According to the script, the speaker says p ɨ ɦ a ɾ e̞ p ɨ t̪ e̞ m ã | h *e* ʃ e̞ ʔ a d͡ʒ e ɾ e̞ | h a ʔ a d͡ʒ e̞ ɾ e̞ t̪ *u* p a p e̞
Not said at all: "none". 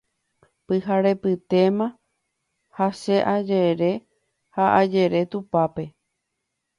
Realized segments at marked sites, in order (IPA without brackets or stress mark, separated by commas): a, u